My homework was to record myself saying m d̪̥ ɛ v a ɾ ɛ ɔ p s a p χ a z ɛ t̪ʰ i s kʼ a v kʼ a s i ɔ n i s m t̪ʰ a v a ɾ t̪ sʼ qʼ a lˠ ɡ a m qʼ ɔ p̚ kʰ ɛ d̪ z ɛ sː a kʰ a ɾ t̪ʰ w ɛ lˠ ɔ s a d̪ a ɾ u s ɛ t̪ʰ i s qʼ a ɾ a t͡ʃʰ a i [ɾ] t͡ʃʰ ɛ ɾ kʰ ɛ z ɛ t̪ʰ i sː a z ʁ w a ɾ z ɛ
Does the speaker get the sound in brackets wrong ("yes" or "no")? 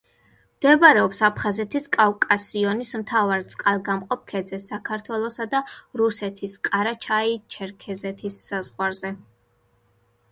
yes